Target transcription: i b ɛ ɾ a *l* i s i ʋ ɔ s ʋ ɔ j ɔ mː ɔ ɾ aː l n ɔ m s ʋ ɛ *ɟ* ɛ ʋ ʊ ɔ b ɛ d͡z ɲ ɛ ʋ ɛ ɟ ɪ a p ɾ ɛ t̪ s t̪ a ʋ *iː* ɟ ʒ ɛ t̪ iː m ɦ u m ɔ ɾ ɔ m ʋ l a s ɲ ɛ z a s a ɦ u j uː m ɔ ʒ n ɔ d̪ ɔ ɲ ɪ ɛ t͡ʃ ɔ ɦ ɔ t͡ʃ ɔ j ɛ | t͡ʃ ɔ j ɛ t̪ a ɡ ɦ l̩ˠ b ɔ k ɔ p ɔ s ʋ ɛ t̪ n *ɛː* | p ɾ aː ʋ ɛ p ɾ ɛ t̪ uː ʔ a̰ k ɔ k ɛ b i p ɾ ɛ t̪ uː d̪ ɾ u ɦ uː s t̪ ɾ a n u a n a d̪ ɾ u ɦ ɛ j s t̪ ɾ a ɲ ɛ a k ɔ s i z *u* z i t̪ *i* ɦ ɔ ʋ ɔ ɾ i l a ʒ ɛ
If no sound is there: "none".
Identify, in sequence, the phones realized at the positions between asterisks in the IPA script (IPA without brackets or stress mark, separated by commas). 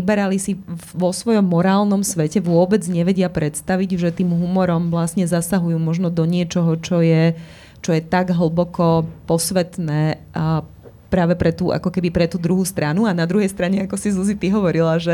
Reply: l, c, i, ɛː, u, i